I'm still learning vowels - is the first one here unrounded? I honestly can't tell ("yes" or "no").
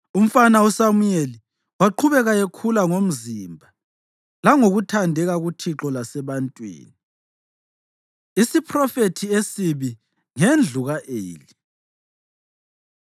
no